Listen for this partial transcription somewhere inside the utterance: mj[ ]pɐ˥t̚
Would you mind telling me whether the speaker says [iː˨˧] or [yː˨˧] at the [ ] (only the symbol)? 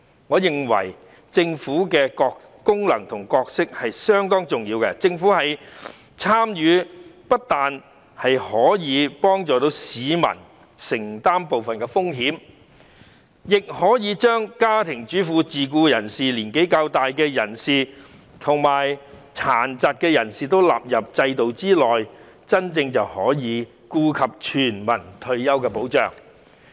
yː˨˧